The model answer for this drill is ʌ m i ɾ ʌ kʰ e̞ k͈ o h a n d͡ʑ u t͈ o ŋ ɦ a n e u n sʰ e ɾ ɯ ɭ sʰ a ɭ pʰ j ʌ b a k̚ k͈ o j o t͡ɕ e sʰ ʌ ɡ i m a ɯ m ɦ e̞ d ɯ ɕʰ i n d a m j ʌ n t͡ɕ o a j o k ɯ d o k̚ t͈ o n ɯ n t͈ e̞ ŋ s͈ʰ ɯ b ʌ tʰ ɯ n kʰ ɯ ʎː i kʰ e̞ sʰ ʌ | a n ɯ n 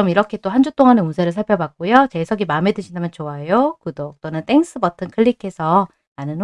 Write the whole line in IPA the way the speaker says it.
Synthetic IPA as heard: ʌ m i ɾ ʌ kʰ e̞ t͈ o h a n d͡ʑ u t͈ o ŋ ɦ a n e u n sʰ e ɾ ɯ ɭ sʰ a ɭ pʰ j ʌ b a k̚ k͈ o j o t͡ɕ e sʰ ʌ ɡ i m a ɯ m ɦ e̞ d ɯ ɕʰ i n d a m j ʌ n t͡ɕ o a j o k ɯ d o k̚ t͈ o n ɯ n t͈ e̞ ŋ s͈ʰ ɯ b ʌ tʰ ɯ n kʰ ɯ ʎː i kʰ e̞ sʰ ʌ | a n ɯ n